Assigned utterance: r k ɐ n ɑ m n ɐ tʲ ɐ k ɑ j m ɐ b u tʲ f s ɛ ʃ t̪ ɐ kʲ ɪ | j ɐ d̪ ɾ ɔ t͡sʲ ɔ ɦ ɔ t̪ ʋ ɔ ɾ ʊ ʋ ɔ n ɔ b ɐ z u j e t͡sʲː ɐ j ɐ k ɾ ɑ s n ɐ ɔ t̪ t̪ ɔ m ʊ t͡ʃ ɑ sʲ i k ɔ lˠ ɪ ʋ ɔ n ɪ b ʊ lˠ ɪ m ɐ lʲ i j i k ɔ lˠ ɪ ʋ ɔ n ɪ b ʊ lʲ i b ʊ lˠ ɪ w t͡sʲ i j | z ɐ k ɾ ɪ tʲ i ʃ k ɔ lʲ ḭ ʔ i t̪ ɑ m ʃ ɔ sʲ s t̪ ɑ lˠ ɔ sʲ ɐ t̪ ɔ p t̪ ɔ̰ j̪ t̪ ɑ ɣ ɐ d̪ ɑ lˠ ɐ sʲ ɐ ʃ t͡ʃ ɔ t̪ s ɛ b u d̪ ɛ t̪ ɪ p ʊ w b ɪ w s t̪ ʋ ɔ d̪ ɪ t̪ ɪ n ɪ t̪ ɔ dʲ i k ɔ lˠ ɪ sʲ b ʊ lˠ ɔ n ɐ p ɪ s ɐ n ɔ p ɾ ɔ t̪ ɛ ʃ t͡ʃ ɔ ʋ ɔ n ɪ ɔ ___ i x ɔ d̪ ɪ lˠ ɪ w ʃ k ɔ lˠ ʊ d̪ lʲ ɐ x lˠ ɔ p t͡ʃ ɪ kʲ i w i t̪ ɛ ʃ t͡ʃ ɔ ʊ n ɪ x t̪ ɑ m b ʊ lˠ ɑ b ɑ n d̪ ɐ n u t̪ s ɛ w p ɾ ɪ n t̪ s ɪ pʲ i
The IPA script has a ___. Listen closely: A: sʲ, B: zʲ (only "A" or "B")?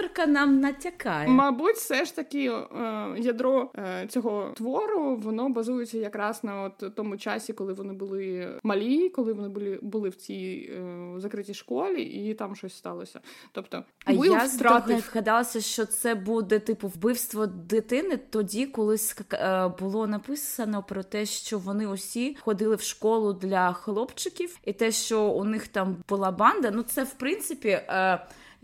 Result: A